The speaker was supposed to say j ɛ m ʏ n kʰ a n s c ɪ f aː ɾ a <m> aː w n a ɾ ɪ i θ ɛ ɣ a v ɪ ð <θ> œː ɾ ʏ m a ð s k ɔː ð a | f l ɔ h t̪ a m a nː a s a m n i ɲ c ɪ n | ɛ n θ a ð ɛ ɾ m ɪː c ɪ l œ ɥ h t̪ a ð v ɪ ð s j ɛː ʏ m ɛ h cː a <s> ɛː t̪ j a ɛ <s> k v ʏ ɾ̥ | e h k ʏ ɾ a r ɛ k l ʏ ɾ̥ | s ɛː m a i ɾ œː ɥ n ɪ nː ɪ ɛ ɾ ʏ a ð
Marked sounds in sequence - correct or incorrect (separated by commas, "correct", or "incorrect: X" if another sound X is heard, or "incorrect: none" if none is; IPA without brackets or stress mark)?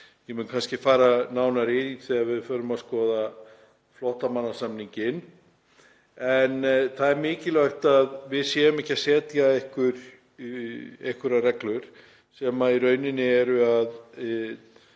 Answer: incorrect: n, incorrect: f, correct, incorrect: h